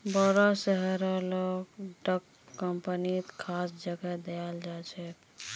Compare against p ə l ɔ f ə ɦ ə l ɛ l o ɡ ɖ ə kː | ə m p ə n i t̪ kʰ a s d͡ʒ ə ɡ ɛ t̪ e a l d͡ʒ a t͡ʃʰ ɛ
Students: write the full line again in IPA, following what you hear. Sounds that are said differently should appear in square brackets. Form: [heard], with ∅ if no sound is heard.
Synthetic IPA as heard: [b] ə [ɾ] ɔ [s] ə ɦ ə [ɾ] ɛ l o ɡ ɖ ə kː | ə m p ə n i t̪ kʰ a s d͡ʒ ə ɡ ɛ [d̪] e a l d͡ʒ a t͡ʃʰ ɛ